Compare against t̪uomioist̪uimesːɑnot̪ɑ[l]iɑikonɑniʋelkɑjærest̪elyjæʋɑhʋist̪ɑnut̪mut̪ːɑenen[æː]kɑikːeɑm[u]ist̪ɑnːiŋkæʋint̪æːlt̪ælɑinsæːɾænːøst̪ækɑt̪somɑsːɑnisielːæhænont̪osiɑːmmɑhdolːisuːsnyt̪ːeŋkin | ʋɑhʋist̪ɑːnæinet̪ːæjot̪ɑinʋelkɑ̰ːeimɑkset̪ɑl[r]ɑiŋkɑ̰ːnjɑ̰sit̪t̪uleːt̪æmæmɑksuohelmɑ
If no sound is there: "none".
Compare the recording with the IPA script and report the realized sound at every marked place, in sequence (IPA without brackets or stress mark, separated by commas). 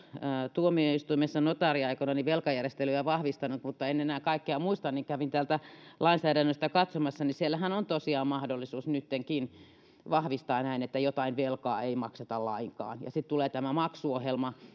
r, æː, u, l